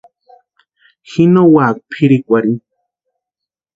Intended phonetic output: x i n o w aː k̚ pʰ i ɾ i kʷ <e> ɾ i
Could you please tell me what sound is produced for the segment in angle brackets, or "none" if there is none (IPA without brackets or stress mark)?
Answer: a